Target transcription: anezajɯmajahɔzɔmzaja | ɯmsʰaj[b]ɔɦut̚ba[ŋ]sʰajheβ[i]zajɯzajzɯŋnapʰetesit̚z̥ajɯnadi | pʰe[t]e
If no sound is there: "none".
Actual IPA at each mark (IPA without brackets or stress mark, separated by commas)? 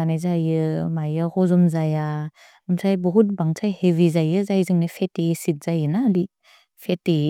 b, ŋ, i, t